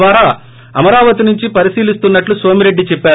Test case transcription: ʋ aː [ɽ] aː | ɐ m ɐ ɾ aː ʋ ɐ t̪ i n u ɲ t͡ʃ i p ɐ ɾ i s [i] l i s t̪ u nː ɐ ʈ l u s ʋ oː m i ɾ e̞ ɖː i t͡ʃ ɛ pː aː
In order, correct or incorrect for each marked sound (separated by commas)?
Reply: incorrect, incorrect